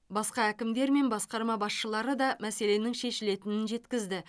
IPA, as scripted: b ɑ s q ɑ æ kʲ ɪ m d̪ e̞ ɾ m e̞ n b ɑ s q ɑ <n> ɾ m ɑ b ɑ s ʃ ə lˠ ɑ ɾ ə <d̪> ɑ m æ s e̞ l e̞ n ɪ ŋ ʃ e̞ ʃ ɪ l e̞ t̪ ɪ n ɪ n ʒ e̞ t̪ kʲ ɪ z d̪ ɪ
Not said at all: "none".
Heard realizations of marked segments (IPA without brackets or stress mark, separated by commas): none, d̪